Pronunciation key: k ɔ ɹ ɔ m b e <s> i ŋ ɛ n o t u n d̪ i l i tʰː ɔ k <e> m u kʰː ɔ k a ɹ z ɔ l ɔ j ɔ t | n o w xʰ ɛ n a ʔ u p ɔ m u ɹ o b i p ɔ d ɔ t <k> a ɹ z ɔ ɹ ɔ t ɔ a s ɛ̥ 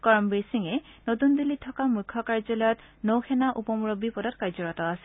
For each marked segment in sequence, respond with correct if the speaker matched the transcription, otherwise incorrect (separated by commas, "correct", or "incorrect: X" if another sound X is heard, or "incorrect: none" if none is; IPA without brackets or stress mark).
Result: correct, incorrect: a, correct